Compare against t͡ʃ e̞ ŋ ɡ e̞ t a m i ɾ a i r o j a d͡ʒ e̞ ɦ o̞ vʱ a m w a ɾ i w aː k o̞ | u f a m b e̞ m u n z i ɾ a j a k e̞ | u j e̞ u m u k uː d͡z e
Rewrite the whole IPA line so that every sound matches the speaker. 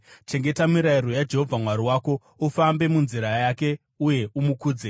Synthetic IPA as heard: t͡ʃ e̞ ŋ ɡ e̞ t a m i ɾ a i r o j a d͡ʒ e̞ ɦ o̞ vʱ a m w a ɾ i w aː k o̞ | u f a m b e̞ m u n z i ɾ a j a k e̞ | u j e̞ u m u k uː d͡z e